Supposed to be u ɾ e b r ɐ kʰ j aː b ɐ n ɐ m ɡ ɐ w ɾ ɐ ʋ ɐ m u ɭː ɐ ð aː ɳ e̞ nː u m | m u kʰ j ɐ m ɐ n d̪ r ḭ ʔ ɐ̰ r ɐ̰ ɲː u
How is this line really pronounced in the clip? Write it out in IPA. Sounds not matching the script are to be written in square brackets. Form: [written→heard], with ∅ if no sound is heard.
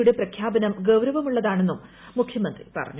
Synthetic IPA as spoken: u [ɾ→ɽ] e [b→p] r ɐ kʰ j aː b ɐ n ɐ m ɡ ɐ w ɾ ɐ ʋ ɐ m u ɭː ɐ ð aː ɳ e̞ nː u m | m u kʰ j ɐ m ɐ n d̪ r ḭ [ʔ→p] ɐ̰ r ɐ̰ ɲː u